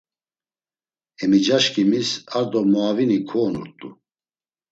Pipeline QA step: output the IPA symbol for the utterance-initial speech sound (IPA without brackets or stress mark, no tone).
ɛ